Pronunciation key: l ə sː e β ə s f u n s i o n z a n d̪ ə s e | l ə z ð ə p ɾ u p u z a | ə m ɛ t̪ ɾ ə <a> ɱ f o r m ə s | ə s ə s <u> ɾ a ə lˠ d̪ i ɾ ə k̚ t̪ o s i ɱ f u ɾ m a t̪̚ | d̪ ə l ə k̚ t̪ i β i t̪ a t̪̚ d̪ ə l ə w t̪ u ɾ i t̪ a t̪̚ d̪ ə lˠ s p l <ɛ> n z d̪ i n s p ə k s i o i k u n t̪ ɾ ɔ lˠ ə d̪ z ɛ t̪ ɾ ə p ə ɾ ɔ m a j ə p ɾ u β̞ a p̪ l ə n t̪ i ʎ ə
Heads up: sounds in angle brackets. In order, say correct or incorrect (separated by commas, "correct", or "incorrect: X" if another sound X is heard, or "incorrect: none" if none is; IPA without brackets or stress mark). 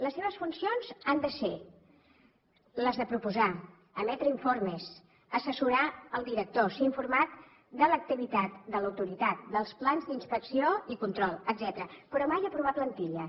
incorrect: i, correct, incorrect: a